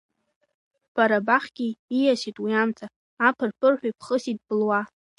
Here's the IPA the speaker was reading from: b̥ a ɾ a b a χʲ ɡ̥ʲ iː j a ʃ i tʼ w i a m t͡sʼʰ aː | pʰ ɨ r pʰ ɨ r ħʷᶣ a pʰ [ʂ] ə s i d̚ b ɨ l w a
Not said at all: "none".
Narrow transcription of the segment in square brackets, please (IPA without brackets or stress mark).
χ